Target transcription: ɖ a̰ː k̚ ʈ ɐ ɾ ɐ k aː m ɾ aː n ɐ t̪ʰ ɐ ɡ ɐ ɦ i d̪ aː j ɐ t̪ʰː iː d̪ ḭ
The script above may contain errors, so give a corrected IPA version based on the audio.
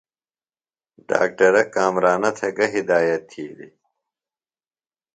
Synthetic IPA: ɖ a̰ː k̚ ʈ ɐ ɾ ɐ k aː m ɾ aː n ɐ t̪ʰ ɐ ɡ ɐ ɦ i d̪ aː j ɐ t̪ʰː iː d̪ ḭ